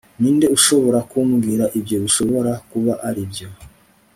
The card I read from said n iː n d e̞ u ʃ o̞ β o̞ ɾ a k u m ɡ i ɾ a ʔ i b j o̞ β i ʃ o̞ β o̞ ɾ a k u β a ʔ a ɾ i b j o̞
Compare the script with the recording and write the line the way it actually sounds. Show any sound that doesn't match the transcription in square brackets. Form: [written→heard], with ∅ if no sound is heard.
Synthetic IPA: n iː n d e̞ u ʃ o̞ β o̞ ɾ a k u m ɡ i ɾ a ʔ i b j o̞ β i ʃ o̞ β o̞ ɾ a k u β a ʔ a ɾ i b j o̞